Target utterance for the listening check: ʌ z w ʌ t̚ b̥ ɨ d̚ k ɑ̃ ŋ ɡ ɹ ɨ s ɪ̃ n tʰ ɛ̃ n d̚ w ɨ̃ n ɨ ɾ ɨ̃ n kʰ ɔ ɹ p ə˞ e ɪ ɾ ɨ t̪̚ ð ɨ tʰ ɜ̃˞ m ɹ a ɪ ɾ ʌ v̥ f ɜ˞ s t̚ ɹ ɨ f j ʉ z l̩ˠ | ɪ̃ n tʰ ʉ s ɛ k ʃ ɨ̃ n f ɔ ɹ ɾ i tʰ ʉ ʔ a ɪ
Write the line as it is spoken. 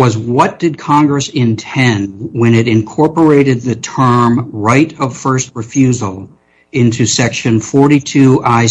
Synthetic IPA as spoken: ʌ z w ʌ t̚ d̥ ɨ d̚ kʰ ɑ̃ ŋ ɡ ɹ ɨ s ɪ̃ n tʰ ɛ̃ n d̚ w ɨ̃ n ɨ ɾ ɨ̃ n kʰ ɔ ɹ p ə˞ e ɪ ɾ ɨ d̪̚ ð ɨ tʰ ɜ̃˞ m ɹ a ɪ ɾ ʌ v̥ f ɜ˞ s t̚ ɹ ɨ f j ʉ z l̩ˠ | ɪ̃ n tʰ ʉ s ɛ k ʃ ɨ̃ n f ɔ ɹ ɾ i tʰ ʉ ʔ a ɪ

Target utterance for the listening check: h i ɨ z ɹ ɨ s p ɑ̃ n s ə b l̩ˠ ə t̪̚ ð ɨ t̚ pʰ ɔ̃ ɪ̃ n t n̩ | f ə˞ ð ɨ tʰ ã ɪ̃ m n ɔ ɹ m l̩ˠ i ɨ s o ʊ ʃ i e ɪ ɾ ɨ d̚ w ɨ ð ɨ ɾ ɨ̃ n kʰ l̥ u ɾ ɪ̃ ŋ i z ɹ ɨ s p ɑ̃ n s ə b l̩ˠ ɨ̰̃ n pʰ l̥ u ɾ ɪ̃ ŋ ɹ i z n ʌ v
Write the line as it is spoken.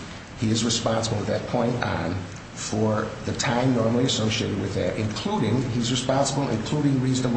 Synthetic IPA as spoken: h i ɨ z ɹ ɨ s p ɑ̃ n s ə b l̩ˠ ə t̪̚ ð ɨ t̚ pʰ ɔ̃ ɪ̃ n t n̩ | f ə˞ ð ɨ tʰ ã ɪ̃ m n ɔ ɹ m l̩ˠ i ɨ s o ʊ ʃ i e ɪ ɾ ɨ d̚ w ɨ ð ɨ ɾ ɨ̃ n kʰ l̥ u ɾ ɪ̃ ŋ i z ɹ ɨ s p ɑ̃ n s ə b l̩ˠ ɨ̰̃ n kʰ l̥ u ɾ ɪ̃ ŋ ɹ i z n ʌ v

